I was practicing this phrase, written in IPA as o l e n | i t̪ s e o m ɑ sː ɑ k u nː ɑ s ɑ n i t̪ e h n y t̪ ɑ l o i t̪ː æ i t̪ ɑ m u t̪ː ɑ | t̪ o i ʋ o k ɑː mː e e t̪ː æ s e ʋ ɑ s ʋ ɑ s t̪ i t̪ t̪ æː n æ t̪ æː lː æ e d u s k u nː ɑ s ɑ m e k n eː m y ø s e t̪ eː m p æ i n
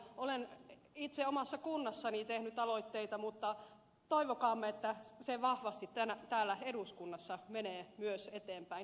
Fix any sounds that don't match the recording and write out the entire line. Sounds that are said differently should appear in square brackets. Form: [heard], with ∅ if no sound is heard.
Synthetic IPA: o l e n | i t̪ s e o m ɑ sː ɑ k u nː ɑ [sː] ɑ n i t̪ e h n y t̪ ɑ l o i t̪ː [e] i t̪ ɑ m u t̪ː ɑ | t̪ o i ʋ o k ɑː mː e e t̪ː æ s e ʋ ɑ [h] ʋ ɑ s t̪ i t̪ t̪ [æ] n æ t̪ æː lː æ e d u s k u nː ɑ [sː] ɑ m e [∅] n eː m y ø s e t̪ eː m p æ i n